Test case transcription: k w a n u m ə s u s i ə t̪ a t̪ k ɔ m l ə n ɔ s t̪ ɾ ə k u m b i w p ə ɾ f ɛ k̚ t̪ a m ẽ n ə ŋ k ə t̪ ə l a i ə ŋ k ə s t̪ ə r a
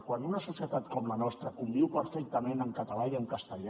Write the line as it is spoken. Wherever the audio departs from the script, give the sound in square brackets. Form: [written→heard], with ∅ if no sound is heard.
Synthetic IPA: k w a n u [m→n] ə s u s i ə t̪ a t̪ k ɔ m l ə n ɔ s t̪ ɾ ə k u m b i w p ə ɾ f ɛ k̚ t̪ [a→ə] m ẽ n ə ŋ k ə t̪ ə l a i ə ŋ k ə s t̪ ə [r→ʎ] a